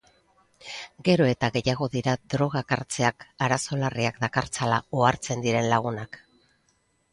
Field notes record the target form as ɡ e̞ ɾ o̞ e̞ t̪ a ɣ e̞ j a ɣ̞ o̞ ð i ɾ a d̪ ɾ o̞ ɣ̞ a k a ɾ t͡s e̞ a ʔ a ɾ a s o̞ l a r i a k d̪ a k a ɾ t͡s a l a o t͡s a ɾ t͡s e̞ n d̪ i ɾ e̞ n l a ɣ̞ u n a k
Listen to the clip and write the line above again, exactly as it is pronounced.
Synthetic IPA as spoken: ɡ e̞ ɾ o̞ e̞ t̪ a ɣ e̞ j a ɣ̞ o̞ ð i ɾ a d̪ ɾ o̞ ɣ̞ a k a ɾ t͡s e̞ a k a ɾ a s o̞ l a r i a k d̪ a k a ɾ t͡s a l a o a ɾ t͡s e̞ n d̪ i ɾ e̞ n l a ɣ̞ u n a k